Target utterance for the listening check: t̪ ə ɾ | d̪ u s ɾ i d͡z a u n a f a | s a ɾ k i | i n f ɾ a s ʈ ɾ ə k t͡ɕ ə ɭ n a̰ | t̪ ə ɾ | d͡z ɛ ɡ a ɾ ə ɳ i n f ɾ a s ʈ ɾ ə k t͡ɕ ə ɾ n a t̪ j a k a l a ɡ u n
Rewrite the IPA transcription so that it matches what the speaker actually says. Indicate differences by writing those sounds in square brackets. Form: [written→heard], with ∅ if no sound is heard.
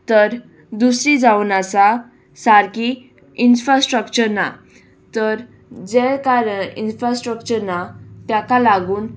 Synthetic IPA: t̪ ə ɾ | d̪ u s ɾ i d͡z a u n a [f→s] a | s a ɾ k i | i n f ɾ a s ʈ ɾ ə k t͡ɕ ə [ɭ→ɾ] n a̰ | t̪ ə ɾ | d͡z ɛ [ɡ→k] a ɾ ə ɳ i n f ɾ a s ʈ ɾ ə k t͡ɕ ə ɾ n a t̪ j a k a l a ɡ [u→uː] n